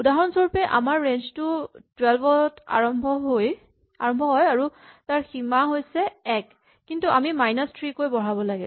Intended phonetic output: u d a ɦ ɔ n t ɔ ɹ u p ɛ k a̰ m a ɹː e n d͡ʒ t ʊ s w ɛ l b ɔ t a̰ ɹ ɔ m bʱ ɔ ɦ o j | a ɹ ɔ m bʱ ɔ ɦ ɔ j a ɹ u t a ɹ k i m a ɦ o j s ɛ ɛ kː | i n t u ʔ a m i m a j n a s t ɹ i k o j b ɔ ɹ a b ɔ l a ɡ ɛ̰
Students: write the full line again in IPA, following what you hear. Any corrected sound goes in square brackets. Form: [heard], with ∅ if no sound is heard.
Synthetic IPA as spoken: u d a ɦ ɔ n [s] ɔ ɹ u p ɛ [ʔ] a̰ m a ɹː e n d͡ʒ t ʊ [t] w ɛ l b ɔ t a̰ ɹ ɔ m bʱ ɔ ɦ o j | a ɹ ɔ m bʱ ɔ ɦ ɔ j a ɹ u t a ɹ [x] i m a ɦ o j s ɛ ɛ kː | i n t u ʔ a m i m a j n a s t ɹ i k o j b ɔ ɹ a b ɔ l a ɡ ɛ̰